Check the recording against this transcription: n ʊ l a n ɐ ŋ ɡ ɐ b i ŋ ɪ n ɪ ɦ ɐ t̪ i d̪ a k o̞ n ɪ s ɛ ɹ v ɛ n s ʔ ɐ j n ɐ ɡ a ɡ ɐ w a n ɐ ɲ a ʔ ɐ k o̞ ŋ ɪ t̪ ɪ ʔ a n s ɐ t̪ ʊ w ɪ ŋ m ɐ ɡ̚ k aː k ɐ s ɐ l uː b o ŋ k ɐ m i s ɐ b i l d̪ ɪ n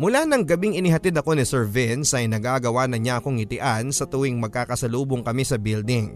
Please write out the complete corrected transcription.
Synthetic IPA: m ʊ l a n ɐ ŋ ɡ ɐ b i ŋ ɪ n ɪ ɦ ɐ t̪ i d̪ ɐ k o̞ n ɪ s ɛ ɹ v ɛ n s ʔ ɐ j n ɐ ɡ a ɡ ɐ w a n ɐ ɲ a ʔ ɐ k o̞ ŋ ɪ t̪ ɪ ʔ a n s ɐ t̪ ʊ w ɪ ŋ m ɐ ɡ̚ k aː k ɐ s ɐ l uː b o ŋ k ɐ m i s ɐ b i l d̪ ɪ ŋ